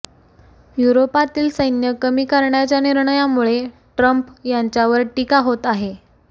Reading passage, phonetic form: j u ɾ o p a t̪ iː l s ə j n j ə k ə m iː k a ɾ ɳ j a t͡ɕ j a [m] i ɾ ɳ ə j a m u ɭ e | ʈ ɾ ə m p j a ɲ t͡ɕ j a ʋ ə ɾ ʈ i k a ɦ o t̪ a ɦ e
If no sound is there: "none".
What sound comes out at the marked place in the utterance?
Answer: n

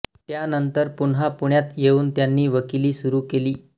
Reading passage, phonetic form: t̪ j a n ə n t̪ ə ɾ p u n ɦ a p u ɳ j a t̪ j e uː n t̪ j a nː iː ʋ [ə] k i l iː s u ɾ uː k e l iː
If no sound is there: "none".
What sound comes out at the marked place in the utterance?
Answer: ə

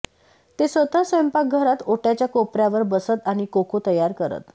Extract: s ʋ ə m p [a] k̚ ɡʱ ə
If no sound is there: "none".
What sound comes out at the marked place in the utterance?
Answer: a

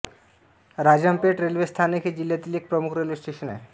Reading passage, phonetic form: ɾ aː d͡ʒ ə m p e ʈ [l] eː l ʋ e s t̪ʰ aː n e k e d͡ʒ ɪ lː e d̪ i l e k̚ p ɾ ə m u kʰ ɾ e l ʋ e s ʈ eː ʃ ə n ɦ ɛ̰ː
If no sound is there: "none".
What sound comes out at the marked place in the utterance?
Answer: ɾ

